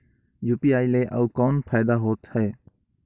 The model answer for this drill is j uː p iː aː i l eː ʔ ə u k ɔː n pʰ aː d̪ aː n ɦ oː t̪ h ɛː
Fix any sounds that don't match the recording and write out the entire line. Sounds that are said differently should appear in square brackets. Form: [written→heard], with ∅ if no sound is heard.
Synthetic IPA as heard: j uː p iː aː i l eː ʔ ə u k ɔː n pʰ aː d̪ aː [n→∅] ɦ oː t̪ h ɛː